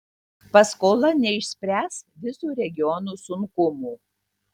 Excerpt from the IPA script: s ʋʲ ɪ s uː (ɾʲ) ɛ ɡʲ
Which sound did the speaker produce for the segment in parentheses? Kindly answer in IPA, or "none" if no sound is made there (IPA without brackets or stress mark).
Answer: ɾʲ